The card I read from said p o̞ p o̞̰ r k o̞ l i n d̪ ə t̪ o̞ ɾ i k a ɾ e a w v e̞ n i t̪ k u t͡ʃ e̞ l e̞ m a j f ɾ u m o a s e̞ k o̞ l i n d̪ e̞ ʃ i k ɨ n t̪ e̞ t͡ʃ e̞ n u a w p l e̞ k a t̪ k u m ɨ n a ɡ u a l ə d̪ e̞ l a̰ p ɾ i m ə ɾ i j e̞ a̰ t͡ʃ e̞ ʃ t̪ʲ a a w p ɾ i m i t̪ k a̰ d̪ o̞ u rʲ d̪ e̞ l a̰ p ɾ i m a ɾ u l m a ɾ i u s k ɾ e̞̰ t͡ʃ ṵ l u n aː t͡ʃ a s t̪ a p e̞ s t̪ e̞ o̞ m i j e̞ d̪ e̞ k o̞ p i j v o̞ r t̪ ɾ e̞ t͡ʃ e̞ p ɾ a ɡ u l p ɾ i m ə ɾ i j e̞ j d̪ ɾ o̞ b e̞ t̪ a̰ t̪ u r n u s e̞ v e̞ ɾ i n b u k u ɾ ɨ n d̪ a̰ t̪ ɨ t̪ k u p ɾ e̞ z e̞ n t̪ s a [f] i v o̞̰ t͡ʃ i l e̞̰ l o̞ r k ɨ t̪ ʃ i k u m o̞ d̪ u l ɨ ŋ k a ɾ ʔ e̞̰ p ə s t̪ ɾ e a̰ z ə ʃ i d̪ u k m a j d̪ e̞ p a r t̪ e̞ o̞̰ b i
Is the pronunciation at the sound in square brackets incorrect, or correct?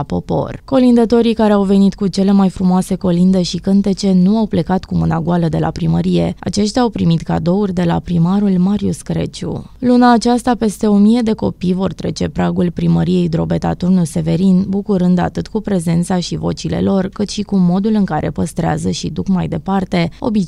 incorrect